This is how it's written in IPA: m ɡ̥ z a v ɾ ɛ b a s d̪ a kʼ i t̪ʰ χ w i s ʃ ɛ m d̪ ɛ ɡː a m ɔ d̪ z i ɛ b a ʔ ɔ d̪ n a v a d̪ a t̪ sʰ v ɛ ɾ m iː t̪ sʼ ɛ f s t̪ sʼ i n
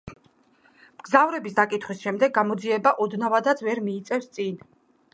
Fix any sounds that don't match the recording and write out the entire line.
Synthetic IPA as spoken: m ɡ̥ z a v ɾ ɛ b i s d̪ a kʼ i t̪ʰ χ w i s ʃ ɛ m d̪ ɛ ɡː a m ɔ d̪ z i ɛ b a ʔ ɔ d̪ n a v a d̪ a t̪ sʰ v ɛ ɾ m iː t̪ sʼ ɛ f s t̪ sʼ i n